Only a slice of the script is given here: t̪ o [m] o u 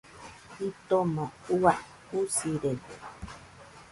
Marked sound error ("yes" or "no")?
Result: no